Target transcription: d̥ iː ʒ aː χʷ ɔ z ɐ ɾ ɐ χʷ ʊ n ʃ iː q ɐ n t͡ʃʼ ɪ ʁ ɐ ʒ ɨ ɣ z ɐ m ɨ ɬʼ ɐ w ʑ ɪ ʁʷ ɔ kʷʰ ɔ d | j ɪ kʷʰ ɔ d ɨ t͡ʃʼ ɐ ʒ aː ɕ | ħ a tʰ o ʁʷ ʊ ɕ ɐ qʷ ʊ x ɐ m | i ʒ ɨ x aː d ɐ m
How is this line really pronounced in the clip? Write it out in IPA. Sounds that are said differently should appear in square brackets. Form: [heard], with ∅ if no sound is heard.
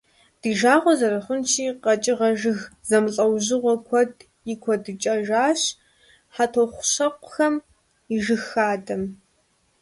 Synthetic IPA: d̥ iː ʒ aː [ʁʷ] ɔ z ɐ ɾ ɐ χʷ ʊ n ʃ iː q ɐ [∅] t͡ʃʼ ɪ ʁ ɐ ʒ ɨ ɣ z ɐ m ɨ ɬʼ ɐ w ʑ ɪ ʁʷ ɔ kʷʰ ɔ d | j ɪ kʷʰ ɔ d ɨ t͡ʃʼ ɐ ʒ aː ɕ | ħ a tʰ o [χʷ] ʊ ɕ ɐ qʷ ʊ x ɐ m | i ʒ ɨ x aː d ɐ m